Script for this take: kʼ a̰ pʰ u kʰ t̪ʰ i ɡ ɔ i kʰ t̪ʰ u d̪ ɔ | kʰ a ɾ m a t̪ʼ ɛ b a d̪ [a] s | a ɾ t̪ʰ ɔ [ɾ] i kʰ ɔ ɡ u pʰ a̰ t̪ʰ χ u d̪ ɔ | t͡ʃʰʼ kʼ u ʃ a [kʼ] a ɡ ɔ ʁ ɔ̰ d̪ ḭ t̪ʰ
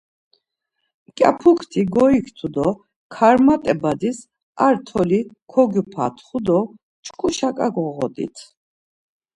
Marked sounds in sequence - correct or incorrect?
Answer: incorrect: i, incorrect: l, correct

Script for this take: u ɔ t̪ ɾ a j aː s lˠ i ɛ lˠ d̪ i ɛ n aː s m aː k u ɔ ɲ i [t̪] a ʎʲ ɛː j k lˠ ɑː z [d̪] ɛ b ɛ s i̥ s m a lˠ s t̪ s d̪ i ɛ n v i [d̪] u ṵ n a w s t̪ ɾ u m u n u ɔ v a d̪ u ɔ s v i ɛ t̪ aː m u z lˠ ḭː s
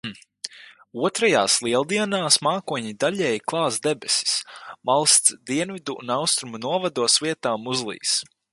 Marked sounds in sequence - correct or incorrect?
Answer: incorrect: d̪, correct, correct

